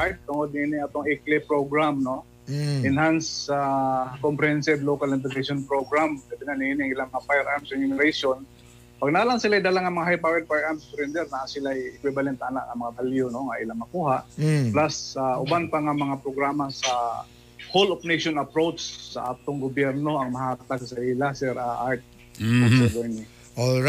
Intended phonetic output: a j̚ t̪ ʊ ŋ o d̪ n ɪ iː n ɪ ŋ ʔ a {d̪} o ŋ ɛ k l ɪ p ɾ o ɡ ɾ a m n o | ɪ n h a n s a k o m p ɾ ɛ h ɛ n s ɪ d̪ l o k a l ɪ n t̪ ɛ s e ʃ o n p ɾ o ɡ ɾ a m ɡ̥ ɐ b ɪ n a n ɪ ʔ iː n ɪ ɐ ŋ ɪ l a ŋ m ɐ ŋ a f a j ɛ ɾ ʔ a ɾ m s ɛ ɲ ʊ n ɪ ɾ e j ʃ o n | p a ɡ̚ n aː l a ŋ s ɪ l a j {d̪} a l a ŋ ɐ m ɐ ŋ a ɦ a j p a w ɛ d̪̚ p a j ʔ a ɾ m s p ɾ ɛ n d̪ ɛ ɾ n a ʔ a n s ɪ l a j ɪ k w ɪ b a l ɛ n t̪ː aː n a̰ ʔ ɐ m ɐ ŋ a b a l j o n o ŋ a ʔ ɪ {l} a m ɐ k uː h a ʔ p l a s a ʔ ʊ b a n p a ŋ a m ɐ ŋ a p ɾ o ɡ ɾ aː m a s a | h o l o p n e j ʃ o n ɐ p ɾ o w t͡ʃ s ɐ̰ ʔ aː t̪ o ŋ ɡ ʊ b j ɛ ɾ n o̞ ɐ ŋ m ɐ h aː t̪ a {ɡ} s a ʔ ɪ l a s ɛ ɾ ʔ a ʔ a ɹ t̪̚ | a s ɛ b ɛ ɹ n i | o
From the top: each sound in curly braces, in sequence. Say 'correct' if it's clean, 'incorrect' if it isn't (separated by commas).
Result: incorrect, correct, correct, correct